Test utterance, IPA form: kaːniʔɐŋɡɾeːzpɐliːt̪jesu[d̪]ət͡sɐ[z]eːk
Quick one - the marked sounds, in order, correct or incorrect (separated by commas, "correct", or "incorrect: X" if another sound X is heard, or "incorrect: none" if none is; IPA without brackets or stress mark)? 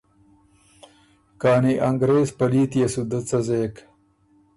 correct, correct